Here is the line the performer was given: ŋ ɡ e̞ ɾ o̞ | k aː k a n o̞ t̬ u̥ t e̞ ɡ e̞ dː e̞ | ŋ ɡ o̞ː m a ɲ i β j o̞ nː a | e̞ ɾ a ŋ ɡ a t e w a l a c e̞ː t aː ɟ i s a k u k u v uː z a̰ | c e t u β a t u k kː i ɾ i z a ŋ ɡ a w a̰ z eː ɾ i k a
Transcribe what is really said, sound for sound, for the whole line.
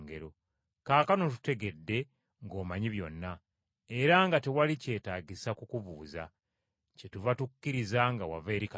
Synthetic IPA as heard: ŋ ɡ e̞ ɾ o̞ | k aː k a n o̞ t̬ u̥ t e̞ ɡ e̞ dː e̞ | ŋ ɡ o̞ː m a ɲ i β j o̞ nː a | e̞ ɾ a ŋ ɡ a t e w a l i c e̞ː t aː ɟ i s a k u k u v uː z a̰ | c e t u v a t u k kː i ɾ i z a ŋ ɡ a w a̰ v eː ɾ i k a